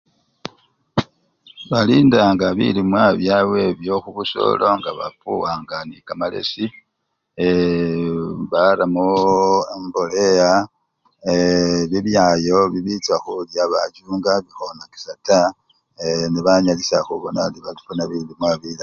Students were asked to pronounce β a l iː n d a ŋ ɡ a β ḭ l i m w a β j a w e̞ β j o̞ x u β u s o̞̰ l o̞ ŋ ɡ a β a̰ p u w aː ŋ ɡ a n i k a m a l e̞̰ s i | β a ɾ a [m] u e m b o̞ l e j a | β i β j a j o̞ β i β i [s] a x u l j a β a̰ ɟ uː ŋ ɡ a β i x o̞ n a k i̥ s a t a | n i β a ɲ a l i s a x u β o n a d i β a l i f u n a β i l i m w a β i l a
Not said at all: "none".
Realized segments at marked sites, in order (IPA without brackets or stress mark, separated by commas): m, t͡s